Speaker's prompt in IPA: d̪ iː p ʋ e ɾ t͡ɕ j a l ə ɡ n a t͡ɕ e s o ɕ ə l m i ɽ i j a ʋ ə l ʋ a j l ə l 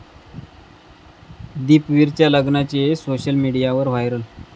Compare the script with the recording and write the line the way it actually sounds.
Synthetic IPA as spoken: d̪ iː p ʋ i ɾ t͡ɕ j a l ə ɡ n a t͡ɕ e s o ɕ ə l m i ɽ i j a ʋ ə ɾ ʋ a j ɾ ə l